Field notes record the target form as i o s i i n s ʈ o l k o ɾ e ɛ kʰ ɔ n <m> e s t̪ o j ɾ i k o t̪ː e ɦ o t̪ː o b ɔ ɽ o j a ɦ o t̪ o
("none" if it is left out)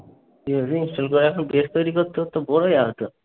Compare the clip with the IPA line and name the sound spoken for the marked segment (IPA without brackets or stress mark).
b